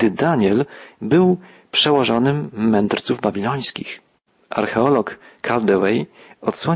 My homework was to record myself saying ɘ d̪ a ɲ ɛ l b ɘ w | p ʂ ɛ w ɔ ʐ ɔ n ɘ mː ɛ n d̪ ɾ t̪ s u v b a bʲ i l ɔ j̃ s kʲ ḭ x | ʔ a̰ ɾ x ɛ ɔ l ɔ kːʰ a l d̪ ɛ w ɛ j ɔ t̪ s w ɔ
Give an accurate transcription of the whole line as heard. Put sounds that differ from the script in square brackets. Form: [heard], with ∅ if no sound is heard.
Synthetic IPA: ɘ d̪ a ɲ ɛ l b ɘ w | p ʂ ɛ w ɔ ʐ ɔ n ɘ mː ɛ n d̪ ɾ t̪ s u v b a bʲ i l ɔ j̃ s kʲ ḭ x | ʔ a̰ ɾ x ɛ ɔ l ɔ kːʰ a l d̪ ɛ w ɛ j ɔ t̪ s w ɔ